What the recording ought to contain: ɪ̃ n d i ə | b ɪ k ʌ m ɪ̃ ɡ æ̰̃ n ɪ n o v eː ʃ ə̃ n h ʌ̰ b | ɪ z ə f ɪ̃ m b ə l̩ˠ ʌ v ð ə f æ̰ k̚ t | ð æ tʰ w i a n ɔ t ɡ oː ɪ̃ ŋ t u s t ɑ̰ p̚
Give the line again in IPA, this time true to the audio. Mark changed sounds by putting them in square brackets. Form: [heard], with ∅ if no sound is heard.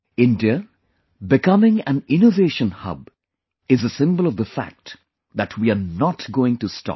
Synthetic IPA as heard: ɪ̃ n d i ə | b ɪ k ʌ m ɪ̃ [ŋ] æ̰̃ n ɪ n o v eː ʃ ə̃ n h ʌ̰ b | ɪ z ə [s] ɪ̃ m b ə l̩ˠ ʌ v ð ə f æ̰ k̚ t | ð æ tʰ w i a n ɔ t ɡ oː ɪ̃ ŋ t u s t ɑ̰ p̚